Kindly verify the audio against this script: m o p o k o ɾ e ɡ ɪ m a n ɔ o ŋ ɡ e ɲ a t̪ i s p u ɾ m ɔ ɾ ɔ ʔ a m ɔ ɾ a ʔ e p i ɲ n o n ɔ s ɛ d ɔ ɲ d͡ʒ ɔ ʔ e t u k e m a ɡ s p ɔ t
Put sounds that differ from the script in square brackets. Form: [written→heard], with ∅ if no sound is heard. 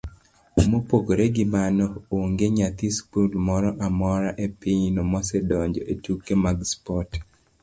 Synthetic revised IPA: m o p o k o ɾ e ɡ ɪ m a n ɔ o ŋ ɡ e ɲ a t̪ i s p u [ɾ→l] m ɔ ɾ ɔ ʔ a m ɔ ɾ a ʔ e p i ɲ n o [n→m] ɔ s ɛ d ɔ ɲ d͡ʒ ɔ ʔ e t u k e m a ɡ s p ɔ t